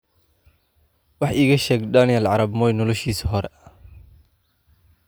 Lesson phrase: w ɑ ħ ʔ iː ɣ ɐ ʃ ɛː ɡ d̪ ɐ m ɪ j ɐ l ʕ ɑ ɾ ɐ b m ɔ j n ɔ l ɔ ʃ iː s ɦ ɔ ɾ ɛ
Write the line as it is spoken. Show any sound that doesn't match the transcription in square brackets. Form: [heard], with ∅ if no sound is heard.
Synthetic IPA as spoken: w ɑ ħ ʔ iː ɣ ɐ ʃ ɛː ɡ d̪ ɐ [n] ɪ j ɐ l ʕ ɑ ɾ ɐ b m ɔ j n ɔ l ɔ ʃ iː s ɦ ɔ ɾ ɛ

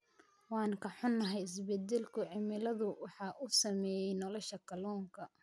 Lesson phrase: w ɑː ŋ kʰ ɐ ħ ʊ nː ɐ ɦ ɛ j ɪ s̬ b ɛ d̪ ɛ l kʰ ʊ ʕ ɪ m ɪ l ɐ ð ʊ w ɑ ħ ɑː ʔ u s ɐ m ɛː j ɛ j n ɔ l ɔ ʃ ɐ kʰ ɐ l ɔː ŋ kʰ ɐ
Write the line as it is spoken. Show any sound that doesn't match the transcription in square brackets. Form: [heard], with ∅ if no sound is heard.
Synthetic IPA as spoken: w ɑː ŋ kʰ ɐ ħ ʊ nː ɐ ɦ ɛ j ɪ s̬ b ɛ d̪ ɛ l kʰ ʊ ʕ ɪ m ɪ l ɐ ð ʊ w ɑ ħ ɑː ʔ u s ɐ m ɛː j ɛ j n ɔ l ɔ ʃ ɐ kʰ ɐ l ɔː ŋ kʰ ɐ

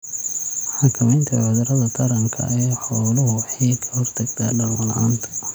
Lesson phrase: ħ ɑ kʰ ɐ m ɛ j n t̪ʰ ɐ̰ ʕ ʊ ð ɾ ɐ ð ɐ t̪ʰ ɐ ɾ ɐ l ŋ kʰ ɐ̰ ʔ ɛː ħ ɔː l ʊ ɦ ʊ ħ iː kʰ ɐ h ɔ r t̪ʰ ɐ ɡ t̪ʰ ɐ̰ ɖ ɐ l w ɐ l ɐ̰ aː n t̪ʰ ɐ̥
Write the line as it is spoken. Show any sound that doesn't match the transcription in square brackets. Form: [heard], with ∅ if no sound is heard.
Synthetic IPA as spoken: ħ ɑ kʰ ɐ m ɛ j n t̪ʰ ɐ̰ ʕ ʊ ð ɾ ɐ ð ɐ t̪ʰ ɐ ɾ ɐ [∅] ŋ kʰ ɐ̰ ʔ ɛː ħ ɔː l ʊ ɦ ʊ ħ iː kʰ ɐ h ɔ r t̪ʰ ɐ ɡ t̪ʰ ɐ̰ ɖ ɐ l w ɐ l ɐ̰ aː n t̪ʰ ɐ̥

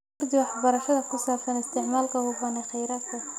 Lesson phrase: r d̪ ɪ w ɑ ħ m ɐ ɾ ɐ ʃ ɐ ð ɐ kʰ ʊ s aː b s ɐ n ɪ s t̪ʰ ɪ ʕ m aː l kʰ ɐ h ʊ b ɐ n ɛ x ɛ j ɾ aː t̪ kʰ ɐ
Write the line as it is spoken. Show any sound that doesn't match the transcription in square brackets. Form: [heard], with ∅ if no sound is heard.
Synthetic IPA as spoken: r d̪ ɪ w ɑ ħ [b] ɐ ɾ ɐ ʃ ɐ ð ɐ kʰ ʊ s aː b s ɐ n ɪ s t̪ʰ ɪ ʕ m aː l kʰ ɐ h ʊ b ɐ n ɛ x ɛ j ɾ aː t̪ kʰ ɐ

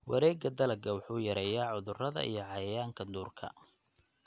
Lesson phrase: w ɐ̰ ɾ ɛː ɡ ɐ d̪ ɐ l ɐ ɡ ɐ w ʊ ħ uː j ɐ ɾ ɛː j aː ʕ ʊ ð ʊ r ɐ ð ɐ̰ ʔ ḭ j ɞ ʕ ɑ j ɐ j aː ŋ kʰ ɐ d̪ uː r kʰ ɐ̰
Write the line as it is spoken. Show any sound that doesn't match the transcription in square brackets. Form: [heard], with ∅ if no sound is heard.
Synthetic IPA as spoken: w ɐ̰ ɾ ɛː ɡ ɐ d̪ ɐ l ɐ ɡ ɐ w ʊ ħ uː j ɐ ɾ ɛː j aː ʕ ʊ ð ʊ r ɐ ð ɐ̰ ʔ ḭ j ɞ ʕ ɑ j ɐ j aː ŋ kʰ ɐ d̪ uː r kʰ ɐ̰

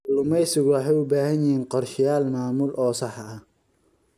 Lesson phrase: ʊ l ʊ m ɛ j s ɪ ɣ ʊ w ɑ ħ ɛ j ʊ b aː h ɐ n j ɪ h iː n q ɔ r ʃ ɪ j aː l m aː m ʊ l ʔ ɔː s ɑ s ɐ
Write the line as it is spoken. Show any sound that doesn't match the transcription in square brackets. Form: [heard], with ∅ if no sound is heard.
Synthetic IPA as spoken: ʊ l ʊ m ɛ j s ɪ ɣ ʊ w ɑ ħ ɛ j ʊ b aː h ɐ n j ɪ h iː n q ɔ r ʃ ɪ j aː l m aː m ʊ l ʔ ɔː s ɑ [ħ] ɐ

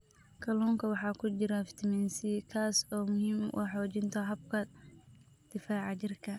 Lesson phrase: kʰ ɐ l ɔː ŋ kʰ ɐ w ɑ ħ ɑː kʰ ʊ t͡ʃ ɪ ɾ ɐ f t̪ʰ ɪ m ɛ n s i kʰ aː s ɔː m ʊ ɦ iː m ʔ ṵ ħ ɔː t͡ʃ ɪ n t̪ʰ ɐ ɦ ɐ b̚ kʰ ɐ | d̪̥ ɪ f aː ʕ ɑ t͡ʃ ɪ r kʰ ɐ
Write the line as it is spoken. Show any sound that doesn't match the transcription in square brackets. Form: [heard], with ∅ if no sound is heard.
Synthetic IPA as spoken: kʰ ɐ l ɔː ŋ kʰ ɐ w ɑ ħ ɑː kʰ ʊ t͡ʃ ɪ ɾ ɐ f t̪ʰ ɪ m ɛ n s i kʰ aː s ɔː m ʊ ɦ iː m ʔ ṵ ħ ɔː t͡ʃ ɪ n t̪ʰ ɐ ɦ ɐ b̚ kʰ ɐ | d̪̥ ɪ f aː ʕ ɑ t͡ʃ ɪ r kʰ ɐ

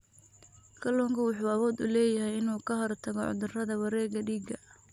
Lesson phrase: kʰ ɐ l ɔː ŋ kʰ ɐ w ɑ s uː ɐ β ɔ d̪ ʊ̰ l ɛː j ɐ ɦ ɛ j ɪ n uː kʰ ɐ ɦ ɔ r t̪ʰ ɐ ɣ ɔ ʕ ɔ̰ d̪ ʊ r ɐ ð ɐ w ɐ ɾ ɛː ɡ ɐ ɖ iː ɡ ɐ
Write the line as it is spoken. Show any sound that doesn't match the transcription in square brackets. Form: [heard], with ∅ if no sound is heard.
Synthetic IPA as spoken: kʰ ɐ l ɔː ŋ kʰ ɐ w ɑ [ħ] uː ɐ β [ɔː] d̪ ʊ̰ l ɛː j ɐ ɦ ɛ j ɪ n uː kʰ ɐ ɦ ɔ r t̪ʰ ɐ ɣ ɔ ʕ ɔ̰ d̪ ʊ r ɐ ð ɐ w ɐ ɾ ɛː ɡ ɐ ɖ iː ɡ ɐ

